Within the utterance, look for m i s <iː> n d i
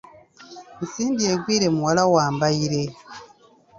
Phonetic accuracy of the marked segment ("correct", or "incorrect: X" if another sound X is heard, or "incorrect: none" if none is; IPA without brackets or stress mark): correct